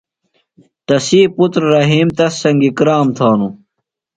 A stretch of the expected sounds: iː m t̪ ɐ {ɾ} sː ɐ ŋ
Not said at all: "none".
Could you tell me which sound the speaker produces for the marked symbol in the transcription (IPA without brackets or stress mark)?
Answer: none